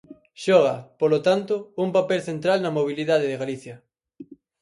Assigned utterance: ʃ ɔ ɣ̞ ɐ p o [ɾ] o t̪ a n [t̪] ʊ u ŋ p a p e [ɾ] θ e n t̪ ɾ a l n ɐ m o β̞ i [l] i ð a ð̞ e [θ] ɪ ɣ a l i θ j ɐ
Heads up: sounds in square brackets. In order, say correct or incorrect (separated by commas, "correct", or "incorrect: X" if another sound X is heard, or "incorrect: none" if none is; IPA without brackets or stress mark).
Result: incorrect: l, correct, incorrect: l, correct, incorrect: ð